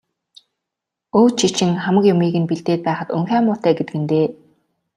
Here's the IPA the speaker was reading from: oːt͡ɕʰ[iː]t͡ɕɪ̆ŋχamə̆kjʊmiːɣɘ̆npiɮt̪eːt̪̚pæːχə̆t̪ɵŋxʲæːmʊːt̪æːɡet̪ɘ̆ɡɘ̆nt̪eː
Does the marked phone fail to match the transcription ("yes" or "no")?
yes